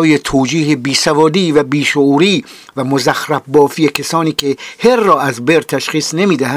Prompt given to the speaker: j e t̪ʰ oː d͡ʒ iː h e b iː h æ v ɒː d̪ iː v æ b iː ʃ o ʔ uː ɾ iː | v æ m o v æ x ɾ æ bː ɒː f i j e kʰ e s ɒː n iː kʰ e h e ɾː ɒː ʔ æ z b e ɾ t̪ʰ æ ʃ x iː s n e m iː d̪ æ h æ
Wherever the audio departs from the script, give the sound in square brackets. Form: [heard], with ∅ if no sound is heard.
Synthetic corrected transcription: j e t̪ʰ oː d͡ʒ iː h e b iː [s] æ v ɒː d̪ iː v æ b iː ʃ o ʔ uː ɾ iː | v æ m o [z] æ x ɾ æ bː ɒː f i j e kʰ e s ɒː n iː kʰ e h e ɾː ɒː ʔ æ z b e ɾ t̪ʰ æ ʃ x iː s n e m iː d̪ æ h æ